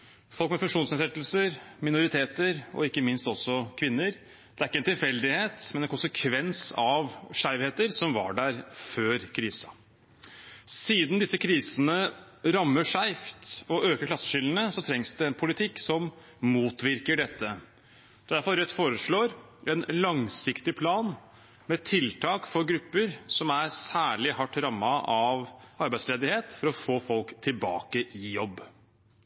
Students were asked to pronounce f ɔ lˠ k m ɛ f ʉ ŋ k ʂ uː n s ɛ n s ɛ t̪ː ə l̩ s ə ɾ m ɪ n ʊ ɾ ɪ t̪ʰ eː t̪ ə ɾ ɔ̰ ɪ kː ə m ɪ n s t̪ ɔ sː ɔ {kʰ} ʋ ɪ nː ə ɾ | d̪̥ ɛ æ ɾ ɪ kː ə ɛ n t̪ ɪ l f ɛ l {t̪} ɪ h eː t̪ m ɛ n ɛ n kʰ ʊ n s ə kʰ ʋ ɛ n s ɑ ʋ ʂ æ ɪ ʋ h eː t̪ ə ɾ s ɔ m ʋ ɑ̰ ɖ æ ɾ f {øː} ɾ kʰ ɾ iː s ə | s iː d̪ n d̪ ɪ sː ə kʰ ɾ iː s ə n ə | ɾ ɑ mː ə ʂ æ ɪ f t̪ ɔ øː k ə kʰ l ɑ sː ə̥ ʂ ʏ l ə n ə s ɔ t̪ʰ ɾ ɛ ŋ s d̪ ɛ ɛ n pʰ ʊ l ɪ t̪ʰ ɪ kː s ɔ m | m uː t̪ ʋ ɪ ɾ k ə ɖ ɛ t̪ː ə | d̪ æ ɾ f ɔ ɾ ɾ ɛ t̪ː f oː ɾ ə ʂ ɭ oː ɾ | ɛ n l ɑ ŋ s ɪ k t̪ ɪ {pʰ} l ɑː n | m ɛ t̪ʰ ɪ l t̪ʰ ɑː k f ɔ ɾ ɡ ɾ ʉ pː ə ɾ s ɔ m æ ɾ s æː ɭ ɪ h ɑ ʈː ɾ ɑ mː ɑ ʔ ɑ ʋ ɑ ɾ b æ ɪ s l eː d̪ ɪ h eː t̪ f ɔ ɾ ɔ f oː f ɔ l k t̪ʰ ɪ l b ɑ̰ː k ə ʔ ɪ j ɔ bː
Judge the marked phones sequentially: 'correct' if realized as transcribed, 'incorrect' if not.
correct, incorrect: d̪, correct, correct

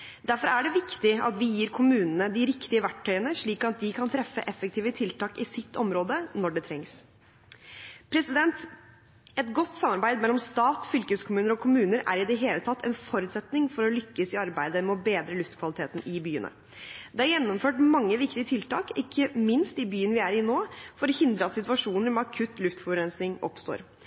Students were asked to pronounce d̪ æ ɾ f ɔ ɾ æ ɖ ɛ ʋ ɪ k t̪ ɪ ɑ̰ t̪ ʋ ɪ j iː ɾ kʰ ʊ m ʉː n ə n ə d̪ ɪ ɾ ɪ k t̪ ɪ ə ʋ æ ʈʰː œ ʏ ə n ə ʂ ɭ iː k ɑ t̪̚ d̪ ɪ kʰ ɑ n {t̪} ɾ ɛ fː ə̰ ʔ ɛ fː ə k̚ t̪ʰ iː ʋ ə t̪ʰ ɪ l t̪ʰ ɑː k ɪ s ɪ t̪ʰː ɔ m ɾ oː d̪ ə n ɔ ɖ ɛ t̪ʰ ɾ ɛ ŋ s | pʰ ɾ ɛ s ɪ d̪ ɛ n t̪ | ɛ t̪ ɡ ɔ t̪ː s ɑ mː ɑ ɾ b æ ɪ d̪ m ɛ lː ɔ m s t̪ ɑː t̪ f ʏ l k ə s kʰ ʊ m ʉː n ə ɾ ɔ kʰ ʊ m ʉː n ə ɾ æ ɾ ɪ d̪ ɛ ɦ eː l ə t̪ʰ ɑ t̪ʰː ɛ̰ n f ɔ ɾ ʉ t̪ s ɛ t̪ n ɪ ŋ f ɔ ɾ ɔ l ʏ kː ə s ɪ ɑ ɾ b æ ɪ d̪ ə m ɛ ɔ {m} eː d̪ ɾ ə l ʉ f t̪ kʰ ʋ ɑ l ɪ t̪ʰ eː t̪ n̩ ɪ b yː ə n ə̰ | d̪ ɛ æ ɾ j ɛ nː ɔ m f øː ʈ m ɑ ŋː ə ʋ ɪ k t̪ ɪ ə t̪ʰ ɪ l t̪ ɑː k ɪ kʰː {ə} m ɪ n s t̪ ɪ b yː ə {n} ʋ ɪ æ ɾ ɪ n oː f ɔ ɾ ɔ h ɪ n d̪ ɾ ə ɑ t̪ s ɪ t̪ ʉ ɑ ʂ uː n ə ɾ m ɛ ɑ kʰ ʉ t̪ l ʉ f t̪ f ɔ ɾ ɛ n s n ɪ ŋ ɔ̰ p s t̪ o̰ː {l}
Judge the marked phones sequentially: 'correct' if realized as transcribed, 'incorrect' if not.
incorrect: t̪ʰ, incorrect: b, correct, correct, incorrect: ɾ

